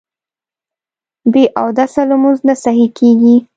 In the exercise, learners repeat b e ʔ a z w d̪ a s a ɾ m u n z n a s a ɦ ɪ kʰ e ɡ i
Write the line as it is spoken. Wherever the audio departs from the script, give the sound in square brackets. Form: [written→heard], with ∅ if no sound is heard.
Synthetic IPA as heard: b e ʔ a [z→∅] w d̪ a s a [ɾ→l] m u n z n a s a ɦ [ɪ→i] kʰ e ɡ i